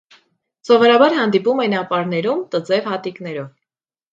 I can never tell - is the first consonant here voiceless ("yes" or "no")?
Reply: yes